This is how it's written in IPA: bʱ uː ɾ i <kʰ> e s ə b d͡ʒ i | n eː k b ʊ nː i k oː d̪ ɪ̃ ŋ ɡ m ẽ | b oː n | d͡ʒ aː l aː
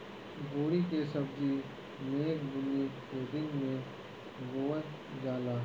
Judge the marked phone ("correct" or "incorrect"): incorrect